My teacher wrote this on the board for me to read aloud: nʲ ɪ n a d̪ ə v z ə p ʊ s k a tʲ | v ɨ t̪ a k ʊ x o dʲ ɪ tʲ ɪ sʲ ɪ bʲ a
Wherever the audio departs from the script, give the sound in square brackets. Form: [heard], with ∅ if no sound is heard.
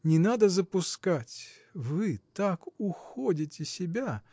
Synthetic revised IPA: nʲ ɪ n a d̪ ə [∅] z ə p ʊ s k a tʲ | v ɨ t̪ a k ʊ x o dʲ ɪ tʲ ɪ sʲ ɪ bʲ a